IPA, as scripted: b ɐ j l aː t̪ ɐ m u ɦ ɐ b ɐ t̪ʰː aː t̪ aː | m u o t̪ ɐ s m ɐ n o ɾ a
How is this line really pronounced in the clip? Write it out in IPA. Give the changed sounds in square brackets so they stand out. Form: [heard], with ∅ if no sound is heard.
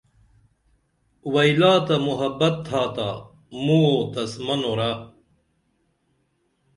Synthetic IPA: [w] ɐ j l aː t̪ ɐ m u ɦ ɐ b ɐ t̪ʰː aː t̪ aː | m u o t̪ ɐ s m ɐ n o ɾ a